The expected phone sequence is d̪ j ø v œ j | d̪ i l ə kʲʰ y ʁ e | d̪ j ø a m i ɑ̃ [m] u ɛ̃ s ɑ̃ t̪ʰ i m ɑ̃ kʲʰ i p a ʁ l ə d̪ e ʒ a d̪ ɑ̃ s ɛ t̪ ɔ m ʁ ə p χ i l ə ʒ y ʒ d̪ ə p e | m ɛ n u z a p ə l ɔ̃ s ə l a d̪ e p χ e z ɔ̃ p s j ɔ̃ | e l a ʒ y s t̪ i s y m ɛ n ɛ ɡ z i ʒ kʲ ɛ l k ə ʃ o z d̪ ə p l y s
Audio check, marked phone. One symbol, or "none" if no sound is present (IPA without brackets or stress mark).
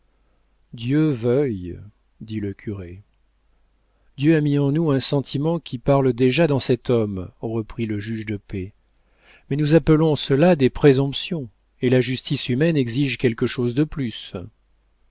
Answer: n